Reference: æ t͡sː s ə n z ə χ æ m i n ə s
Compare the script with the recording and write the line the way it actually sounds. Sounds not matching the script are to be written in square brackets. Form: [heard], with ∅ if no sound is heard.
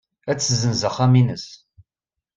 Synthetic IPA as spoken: æ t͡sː [z] ə n z ə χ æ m i n ə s